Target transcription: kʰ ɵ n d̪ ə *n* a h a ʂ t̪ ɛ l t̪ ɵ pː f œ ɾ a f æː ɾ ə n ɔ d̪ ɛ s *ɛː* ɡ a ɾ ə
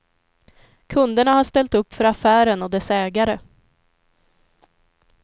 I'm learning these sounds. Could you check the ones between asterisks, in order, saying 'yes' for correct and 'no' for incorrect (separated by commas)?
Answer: no, yes